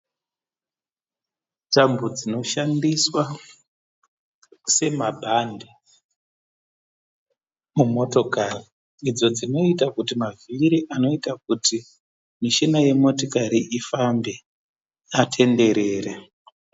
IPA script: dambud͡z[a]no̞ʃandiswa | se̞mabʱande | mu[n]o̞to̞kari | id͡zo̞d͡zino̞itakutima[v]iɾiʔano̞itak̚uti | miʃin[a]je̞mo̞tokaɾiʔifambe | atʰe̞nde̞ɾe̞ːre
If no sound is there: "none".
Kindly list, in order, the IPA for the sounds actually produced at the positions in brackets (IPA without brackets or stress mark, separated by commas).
i, m, v, a